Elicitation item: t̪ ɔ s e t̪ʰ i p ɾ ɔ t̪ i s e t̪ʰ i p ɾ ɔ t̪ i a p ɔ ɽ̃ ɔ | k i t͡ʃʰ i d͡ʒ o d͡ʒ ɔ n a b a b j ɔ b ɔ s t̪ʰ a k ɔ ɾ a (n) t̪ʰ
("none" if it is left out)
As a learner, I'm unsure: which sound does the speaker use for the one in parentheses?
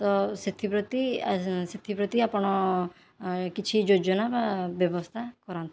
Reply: n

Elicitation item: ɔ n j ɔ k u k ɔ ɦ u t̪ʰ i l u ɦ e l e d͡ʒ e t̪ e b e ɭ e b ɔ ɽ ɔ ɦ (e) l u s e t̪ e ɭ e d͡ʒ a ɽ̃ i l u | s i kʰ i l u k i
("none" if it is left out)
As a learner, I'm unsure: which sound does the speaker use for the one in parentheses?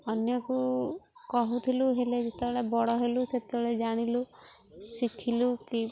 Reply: e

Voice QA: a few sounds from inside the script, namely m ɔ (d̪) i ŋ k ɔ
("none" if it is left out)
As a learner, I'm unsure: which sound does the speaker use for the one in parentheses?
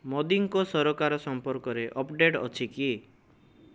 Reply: d̪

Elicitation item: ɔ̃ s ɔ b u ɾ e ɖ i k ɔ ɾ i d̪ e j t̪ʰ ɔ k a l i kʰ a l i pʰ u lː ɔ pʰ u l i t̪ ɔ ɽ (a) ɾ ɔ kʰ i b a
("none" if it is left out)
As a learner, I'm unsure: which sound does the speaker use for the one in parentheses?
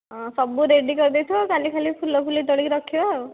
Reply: i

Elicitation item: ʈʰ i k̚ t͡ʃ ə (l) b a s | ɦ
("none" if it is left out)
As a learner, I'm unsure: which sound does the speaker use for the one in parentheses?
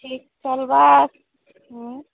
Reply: l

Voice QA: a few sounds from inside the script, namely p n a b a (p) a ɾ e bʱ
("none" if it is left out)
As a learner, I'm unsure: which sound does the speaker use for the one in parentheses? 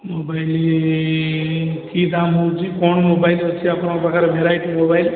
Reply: k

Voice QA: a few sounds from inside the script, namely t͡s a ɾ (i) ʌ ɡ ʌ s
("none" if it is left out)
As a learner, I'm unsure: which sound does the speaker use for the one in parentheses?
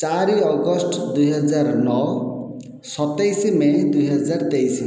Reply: i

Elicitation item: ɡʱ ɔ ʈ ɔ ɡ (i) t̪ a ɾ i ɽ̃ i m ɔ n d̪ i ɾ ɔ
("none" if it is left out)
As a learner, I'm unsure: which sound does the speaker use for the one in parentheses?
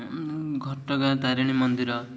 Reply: a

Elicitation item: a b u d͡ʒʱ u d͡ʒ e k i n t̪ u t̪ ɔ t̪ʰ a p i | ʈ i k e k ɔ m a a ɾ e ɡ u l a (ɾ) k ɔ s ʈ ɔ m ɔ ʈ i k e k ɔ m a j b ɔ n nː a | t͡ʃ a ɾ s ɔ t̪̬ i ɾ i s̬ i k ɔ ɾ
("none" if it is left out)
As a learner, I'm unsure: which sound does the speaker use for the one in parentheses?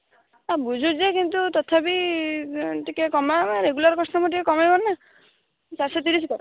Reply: ɾ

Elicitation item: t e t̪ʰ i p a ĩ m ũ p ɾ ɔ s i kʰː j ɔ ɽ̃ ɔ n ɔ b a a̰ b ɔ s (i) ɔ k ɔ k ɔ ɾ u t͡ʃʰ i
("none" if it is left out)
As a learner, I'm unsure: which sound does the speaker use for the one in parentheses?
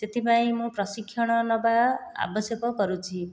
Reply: j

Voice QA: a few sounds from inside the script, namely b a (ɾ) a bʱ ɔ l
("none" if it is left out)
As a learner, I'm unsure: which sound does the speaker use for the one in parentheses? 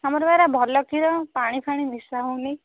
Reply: ɾ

